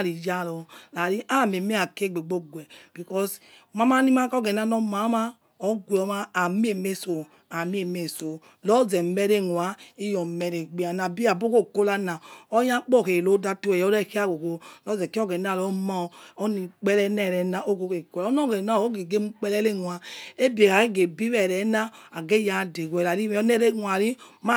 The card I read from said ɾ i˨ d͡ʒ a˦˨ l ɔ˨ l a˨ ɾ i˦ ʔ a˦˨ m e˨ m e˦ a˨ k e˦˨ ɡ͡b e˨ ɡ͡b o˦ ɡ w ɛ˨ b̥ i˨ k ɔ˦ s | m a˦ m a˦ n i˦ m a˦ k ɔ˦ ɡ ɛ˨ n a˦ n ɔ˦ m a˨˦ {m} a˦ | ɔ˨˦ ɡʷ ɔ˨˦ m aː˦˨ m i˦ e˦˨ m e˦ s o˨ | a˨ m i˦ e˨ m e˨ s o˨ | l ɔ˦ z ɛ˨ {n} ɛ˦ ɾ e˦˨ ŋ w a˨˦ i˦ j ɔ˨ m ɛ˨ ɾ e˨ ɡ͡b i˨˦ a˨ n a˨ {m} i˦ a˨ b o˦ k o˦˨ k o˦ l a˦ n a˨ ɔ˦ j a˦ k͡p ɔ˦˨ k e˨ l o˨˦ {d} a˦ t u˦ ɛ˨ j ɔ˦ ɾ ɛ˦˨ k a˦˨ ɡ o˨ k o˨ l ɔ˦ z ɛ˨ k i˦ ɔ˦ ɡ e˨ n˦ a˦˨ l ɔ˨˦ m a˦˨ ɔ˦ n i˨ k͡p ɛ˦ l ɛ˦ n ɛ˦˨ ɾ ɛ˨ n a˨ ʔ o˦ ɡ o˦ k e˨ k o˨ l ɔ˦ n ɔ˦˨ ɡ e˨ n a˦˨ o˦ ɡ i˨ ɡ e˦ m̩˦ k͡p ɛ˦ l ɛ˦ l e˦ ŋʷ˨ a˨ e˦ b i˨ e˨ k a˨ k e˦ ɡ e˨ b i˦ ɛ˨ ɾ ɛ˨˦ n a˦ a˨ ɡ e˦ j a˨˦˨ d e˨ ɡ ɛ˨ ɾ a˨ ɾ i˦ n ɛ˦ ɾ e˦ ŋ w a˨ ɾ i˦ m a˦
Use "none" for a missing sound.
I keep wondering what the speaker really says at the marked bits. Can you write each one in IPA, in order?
m, m, b, d

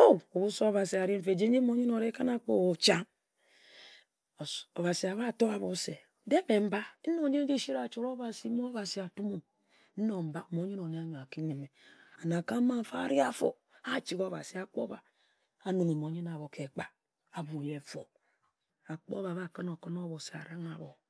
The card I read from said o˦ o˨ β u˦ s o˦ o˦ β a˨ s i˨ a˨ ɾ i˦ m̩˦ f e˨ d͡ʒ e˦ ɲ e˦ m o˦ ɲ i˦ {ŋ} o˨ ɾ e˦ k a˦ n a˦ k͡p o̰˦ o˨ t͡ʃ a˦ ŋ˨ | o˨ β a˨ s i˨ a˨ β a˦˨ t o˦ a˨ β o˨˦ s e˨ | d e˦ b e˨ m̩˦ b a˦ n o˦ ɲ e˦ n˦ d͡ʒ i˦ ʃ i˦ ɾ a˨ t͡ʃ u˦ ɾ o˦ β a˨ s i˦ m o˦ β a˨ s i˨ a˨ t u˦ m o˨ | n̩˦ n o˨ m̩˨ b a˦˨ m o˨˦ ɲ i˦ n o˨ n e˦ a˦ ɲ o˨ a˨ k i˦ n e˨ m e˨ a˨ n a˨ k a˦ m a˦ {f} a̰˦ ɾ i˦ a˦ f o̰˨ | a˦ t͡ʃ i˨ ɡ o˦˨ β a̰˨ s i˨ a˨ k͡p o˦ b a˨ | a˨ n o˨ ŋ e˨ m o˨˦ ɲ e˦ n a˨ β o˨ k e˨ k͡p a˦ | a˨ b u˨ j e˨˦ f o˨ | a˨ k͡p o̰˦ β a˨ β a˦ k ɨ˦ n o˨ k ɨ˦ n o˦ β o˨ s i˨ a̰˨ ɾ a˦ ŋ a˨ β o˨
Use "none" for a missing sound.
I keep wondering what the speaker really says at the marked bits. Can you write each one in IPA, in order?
n, f

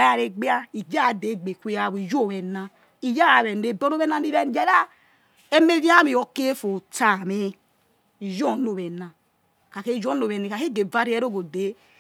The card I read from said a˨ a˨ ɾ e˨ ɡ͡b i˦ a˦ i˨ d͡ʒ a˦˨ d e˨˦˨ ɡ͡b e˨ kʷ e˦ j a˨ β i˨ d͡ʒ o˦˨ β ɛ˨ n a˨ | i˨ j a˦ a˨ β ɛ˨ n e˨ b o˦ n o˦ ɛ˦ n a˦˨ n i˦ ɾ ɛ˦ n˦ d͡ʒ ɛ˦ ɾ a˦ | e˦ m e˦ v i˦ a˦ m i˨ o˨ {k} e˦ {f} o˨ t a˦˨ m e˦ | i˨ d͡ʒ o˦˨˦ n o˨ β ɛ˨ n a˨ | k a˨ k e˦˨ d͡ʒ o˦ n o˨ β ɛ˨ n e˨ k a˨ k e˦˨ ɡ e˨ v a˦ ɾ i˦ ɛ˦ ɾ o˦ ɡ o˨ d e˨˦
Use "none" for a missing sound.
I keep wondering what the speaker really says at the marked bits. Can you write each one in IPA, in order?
k, f

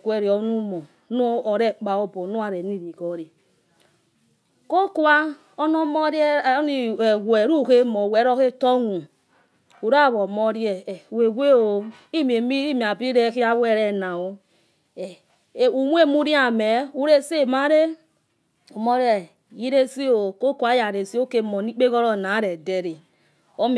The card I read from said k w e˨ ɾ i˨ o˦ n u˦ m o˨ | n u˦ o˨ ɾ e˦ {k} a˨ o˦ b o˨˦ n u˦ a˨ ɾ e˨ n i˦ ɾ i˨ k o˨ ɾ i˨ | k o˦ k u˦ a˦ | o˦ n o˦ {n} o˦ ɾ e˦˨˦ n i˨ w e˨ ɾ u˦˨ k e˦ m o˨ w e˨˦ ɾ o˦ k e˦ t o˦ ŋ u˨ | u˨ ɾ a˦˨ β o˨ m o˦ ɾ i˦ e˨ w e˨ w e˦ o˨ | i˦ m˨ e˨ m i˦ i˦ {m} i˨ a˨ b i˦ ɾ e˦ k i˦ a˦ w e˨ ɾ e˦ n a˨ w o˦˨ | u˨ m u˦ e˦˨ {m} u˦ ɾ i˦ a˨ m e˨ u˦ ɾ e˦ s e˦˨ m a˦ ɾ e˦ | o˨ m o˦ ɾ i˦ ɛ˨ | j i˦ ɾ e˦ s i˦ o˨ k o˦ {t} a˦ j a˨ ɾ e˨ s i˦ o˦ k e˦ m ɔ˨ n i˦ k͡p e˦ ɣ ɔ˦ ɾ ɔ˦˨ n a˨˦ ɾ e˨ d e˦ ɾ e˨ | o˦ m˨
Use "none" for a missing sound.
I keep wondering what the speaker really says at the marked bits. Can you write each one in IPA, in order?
k͡p, m, m, m, k

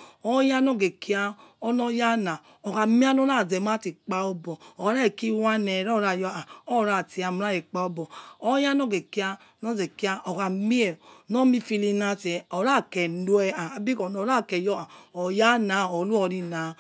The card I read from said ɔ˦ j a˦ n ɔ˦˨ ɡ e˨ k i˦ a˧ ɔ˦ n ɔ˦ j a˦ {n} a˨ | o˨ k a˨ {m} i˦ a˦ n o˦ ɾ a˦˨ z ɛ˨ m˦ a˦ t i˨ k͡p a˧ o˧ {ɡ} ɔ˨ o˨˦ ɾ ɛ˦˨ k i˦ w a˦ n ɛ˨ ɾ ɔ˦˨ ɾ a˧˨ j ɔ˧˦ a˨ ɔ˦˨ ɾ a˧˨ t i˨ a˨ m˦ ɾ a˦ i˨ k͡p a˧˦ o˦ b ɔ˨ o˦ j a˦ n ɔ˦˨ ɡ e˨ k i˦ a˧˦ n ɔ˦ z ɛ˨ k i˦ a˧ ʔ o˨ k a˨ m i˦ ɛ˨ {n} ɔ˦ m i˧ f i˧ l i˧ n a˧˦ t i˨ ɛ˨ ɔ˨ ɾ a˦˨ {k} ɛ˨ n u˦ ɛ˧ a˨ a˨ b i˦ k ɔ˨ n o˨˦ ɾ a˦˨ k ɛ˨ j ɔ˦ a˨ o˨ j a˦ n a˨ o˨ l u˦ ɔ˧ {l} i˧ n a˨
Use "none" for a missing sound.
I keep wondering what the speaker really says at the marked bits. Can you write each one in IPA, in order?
n, m, b, n, k, ɾ

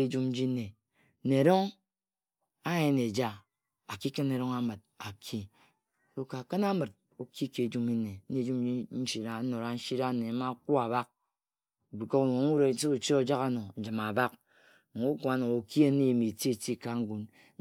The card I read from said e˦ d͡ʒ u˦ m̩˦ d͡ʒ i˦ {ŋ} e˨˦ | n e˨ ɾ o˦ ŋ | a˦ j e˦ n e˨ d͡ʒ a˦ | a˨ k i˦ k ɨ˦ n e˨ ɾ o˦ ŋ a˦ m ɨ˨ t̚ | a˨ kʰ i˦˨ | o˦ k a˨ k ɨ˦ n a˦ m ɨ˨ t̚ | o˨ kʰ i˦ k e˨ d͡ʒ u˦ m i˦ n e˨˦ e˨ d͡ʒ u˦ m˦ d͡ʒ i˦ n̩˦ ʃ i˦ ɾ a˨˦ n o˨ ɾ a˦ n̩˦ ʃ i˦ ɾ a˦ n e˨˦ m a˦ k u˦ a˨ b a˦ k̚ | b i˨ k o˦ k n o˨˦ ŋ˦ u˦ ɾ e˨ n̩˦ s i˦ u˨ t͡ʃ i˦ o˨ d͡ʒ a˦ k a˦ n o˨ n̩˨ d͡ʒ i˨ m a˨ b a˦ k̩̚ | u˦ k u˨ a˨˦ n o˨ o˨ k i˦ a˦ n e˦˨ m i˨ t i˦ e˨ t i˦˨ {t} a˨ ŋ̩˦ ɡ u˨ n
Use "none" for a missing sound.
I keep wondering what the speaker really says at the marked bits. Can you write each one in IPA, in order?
n, k

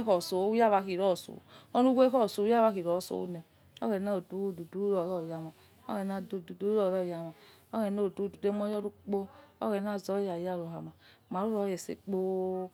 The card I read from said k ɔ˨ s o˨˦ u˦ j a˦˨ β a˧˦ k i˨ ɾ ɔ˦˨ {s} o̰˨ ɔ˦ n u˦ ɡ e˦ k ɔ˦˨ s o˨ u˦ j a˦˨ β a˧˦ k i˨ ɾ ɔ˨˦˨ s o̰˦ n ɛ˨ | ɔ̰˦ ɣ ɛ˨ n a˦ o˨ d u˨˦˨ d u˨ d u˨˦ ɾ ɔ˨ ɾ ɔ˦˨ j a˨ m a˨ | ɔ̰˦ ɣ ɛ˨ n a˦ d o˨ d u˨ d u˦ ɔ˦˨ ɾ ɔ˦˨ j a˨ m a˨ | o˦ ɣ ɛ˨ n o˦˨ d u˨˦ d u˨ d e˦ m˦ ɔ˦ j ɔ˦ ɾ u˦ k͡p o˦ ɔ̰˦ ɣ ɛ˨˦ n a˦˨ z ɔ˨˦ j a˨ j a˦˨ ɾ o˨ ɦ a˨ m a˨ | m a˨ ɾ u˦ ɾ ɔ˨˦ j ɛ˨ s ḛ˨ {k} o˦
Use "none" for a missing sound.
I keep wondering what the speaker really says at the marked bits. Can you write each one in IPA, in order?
s, k͡p

